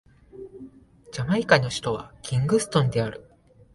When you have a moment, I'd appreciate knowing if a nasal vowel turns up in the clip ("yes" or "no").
yes